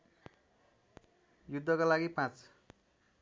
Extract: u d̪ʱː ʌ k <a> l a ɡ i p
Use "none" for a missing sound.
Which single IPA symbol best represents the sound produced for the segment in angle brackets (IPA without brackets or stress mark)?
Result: a